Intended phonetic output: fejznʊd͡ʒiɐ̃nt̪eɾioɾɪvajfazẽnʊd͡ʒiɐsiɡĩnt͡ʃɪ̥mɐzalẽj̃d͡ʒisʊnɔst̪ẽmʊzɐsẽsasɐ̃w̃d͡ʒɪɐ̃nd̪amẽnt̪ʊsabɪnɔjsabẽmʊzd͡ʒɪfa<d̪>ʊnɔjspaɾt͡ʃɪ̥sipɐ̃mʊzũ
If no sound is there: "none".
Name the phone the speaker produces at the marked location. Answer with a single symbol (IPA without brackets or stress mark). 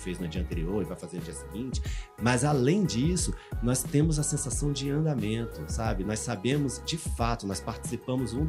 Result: t̪